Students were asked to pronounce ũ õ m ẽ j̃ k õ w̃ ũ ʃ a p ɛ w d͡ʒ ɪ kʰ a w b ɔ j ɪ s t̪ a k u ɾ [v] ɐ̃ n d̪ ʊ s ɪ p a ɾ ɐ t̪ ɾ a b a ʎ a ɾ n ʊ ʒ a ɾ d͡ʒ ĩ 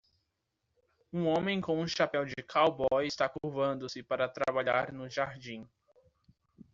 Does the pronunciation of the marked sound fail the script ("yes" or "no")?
no